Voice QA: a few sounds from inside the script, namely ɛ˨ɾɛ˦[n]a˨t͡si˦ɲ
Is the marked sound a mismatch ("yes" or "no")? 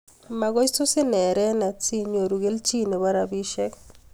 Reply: no